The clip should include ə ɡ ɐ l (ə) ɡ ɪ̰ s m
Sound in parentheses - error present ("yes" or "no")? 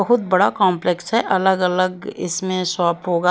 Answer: no